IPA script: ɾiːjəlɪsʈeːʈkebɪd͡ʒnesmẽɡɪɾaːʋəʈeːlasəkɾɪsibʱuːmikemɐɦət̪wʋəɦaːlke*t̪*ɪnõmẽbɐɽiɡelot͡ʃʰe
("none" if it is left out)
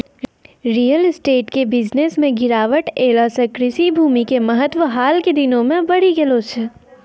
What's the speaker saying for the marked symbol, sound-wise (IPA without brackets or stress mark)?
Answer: d̪